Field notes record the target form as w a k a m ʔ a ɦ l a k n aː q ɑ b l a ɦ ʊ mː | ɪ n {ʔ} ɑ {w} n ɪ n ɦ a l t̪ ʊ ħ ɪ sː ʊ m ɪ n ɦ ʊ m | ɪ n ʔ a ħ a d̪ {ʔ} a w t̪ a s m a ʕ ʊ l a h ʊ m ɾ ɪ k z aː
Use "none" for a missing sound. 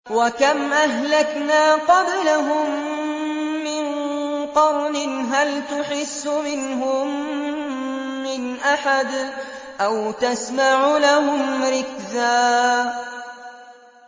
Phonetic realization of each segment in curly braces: q, w, ʔ

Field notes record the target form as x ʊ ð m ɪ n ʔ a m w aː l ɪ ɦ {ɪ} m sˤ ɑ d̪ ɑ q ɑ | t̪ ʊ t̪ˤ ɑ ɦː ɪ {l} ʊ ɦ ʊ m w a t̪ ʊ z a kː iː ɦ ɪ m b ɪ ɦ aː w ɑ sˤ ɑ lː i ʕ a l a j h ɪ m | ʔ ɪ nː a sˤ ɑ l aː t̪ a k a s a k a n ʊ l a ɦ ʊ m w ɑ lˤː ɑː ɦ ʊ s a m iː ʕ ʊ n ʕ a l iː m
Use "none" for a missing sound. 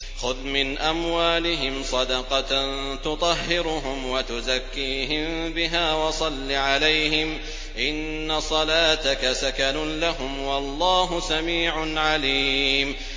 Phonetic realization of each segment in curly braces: ɪ, ɾ

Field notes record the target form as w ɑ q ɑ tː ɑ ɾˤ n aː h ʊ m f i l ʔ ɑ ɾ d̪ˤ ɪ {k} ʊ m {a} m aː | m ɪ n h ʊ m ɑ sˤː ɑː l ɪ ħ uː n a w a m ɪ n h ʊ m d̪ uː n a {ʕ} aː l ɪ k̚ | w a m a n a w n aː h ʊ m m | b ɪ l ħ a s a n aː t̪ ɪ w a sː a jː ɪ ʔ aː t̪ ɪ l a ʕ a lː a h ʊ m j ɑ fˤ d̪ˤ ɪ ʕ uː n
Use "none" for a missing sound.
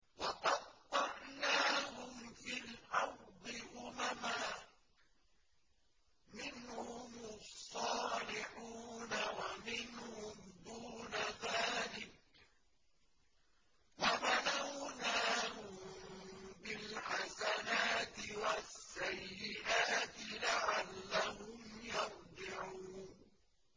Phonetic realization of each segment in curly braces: ʔ, a, ð

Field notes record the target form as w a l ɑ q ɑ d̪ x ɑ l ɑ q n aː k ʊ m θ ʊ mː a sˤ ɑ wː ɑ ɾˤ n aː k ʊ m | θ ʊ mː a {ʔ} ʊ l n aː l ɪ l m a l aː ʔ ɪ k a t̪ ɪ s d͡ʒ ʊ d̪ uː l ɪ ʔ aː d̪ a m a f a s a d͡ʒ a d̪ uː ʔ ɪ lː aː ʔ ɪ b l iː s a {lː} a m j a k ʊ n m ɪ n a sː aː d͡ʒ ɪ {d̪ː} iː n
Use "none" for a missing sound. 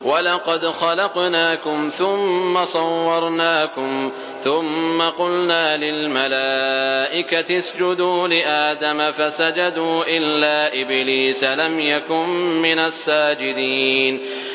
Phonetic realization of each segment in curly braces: q, l, d̪

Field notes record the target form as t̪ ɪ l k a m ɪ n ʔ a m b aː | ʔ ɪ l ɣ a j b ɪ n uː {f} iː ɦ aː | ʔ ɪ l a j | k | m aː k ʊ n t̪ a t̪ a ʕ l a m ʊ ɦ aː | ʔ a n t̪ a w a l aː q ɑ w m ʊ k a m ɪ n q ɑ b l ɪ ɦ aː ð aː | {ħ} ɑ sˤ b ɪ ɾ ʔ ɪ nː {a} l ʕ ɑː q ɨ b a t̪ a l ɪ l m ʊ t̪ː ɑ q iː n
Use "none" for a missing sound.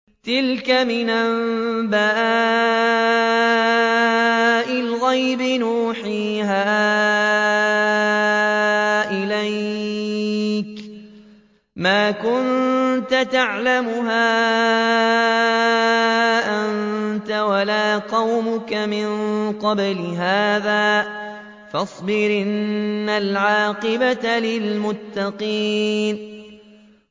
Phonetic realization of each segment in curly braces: ħ, f, a

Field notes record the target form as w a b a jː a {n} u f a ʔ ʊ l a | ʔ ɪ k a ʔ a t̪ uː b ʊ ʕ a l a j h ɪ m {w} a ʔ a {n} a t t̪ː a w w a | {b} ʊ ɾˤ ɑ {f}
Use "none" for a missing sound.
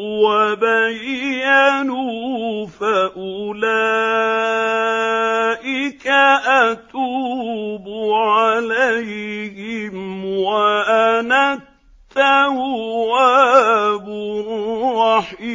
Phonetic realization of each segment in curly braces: n, w, n, b, ħ

